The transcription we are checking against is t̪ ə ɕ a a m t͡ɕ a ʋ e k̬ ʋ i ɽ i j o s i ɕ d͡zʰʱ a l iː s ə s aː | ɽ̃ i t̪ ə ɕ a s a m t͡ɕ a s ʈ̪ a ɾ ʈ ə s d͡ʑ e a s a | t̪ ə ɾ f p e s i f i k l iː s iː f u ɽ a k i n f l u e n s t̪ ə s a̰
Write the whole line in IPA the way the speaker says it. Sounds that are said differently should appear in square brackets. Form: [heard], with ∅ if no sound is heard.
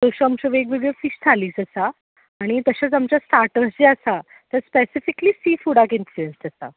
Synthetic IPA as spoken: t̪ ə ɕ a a m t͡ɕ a ʋ e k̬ ʋ i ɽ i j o [f] i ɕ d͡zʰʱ a l iː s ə s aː | ɽ̃ i t̪ ə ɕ a [t͡s] a m t͡ɕ a s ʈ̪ a ɾ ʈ ə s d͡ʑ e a s a | t̪ ə ɾ [s] p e s i f i k l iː s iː f u ɽ a k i n f l u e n s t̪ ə s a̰